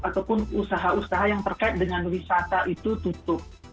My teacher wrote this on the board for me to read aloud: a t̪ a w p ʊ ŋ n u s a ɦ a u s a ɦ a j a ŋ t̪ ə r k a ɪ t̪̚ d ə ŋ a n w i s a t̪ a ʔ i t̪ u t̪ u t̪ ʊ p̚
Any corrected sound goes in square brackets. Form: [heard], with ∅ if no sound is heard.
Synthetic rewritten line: a t̪ a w p ʊ [∅] n u s a ɦ a u s a ɦ a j a ŋ t̪ ə r k a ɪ t̪̚ d ə ŋ a n w i s a t̪ a ʔ i t̪ u t̪ u t̪ ʊ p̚